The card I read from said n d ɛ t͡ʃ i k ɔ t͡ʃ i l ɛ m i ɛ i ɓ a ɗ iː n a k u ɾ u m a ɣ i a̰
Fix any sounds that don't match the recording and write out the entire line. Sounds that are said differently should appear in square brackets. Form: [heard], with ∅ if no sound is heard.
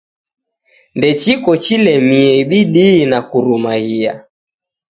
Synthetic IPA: n d ɛ t͡ʃ i k ɔ t͡ʃ i l ɛ m i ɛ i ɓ [i] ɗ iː n a k u ɾ u m a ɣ i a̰